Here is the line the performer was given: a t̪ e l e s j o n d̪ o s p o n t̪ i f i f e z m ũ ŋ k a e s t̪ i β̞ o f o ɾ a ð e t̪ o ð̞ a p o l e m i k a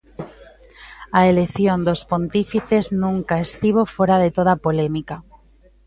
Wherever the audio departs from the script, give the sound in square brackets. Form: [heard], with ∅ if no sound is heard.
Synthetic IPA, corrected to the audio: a [∅] e l e [θ] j o n d̪ o s p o n t̪ i f i [θ] e z [n] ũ ŋ k a e s t̪ i β̞ o f o ɾ a ð e t̪ o ð̞ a p o l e m i k a